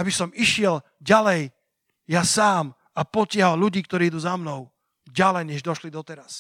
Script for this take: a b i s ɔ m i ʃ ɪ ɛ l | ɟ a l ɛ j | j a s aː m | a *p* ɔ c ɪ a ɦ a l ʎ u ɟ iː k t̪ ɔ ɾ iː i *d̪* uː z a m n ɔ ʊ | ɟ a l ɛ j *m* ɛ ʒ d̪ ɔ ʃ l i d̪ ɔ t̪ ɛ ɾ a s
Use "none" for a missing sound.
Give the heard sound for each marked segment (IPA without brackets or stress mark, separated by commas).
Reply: p, d̪, ɲ